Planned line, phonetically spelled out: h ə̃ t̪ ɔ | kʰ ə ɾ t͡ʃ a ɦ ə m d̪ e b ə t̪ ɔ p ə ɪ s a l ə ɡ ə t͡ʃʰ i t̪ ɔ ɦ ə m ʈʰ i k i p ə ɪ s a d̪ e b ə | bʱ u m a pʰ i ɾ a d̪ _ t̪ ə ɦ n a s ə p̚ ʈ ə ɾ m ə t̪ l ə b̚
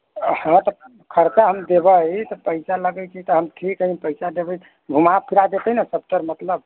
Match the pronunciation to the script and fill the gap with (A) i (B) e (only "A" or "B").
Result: B